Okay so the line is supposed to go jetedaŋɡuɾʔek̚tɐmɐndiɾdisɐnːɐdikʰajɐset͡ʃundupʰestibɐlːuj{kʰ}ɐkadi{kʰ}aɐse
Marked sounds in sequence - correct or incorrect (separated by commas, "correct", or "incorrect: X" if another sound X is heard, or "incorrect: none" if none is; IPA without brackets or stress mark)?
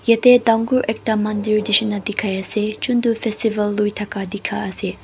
incorrect: tʰ, correct